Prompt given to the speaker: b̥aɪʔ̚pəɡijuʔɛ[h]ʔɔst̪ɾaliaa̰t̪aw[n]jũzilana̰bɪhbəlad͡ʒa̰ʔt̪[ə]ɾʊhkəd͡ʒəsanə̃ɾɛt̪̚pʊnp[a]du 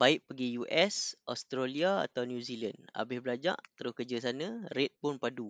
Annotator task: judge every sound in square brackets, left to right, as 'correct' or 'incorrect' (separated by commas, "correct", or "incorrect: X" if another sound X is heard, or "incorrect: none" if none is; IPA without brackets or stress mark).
incorrect: s, correct, correct, correct